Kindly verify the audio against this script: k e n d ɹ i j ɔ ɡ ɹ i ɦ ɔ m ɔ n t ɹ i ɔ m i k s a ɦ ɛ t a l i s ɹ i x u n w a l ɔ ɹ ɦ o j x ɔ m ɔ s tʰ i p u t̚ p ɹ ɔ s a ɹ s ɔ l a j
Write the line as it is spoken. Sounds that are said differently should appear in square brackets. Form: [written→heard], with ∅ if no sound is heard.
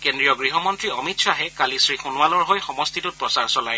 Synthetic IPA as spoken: k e n d ɹ i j ɔ ɡ ɹ i ɦ ɔ m ɔ n t ɹ i ɔ m i [k→t] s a ɦ ɛ [t→k] a l i s ɹ i x u n w a l ɔ ɹ ɦ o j x ɔ m ɔ s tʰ i [p→t] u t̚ p ɹ ɔ s a ɹ s ɔ l a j